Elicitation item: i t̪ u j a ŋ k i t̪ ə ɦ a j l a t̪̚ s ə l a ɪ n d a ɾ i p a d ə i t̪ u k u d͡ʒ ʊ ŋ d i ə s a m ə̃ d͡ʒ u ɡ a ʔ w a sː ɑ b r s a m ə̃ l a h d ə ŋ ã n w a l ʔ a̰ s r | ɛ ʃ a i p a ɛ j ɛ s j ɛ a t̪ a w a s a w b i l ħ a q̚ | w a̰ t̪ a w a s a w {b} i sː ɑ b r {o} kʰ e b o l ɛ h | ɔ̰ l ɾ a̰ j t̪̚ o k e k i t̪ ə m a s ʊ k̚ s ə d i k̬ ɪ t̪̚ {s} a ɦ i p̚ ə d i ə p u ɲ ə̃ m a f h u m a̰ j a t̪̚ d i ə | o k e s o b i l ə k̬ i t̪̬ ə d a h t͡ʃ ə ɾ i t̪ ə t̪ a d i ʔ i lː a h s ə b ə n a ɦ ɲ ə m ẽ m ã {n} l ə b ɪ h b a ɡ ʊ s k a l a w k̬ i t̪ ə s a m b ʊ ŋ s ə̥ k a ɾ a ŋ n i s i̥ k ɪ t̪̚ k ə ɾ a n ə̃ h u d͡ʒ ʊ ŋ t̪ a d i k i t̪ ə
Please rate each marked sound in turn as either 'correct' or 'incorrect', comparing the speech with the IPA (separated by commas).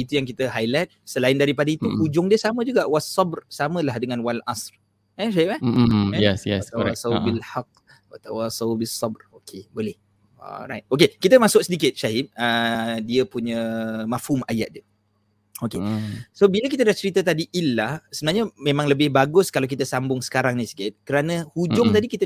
correct, correct, incorrect, incorrect